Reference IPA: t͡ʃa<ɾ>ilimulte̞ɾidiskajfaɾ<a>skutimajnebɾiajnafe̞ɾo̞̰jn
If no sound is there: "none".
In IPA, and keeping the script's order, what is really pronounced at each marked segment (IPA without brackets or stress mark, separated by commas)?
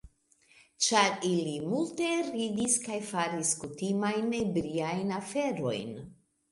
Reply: ɾ, i